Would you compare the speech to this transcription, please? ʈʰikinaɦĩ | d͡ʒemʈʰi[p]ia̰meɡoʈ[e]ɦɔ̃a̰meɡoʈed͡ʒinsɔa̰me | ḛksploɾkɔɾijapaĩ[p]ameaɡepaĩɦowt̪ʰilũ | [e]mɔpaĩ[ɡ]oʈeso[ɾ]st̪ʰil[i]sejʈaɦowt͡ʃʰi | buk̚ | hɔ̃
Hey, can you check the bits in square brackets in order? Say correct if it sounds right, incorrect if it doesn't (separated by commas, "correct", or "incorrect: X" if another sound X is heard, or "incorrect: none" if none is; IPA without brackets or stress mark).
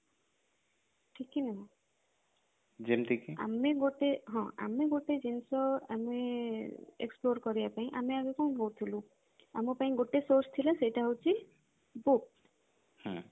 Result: incorrect: k, correct, incorrect: ʔ, incorrect: a, correct, correct, incorrect: a